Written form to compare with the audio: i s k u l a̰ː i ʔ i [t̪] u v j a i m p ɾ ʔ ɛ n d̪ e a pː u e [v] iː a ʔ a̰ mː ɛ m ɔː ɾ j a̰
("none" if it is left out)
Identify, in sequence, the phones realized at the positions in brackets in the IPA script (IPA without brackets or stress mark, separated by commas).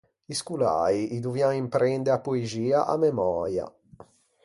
d̪, z